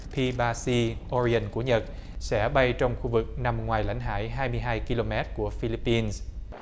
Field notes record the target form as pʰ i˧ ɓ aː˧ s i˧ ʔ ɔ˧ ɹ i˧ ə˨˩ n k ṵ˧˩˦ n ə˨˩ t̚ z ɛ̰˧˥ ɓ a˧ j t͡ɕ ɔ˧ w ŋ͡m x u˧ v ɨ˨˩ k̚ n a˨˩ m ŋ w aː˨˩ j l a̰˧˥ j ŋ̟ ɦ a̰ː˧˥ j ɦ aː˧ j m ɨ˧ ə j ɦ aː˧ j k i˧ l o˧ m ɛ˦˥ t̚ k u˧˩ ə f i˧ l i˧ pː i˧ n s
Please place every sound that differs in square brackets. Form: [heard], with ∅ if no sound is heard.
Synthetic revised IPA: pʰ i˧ ɓ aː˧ s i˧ ʔ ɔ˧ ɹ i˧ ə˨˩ n k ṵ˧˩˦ [ɲ] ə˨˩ t̚ [s] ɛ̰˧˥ ɓ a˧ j t͡ɕ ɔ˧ w ŋ͡m x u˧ v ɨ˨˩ k̚ n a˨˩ m ŋ w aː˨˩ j l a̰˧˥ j ŋ̟ ɦ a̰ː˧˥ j ɦ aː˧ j m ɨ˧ ə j ɦ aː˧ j k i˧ l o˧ m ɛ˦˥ t̚ k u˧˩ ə f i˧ l [i˦˥] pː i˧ n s